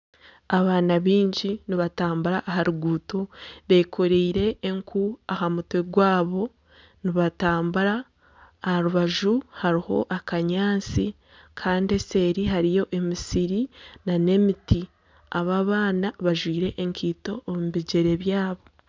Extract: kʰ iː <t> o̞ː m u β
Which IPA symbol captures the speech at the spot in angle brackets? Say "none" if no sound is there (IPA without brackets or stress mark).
t